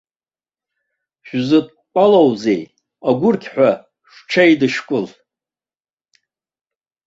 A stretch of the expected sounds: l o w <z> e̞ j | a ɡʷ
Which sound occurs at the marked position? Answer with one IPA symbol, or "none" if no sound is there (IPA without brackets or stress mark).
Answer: z